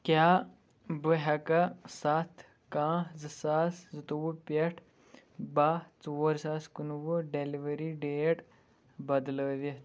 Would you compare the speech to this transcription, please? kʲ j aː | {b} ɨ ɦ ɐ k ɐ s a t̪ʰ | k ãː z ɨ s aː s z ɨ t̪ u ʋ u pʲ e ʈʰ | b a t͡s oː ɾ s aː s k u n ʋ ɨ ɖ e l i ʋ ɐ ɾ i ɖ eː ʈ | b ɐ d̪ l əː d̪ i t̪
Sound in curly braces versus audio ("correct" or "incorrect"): correct